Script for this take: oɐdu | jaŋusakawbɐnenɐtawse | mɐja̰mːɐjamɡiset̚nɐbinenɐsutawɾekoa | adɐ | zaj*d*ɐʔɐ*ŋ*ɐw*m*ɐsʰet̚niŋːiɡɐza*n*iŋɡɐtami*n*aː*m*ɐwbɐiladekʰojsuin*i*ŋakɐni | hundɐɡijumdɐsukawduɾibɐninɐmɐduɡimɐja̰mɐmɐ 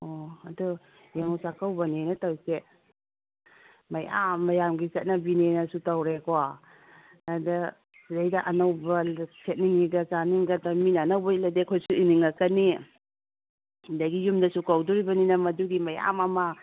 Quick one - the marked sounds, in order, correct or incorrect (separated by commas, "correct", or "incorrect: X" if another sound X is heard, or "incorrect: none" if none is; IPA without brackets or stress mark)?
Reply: correct, incorrect: n, incorrect: b, correct, correct, incorrect: n, correct